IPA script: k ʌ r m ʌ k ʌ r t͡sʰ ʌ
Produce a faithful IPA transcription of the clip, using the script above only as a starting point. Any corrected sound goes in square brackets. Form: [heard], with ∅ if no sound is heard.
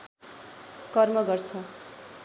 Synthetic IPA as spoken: k ʌ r m ʌ [ɡ] ʌ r t͡sʰ ʌ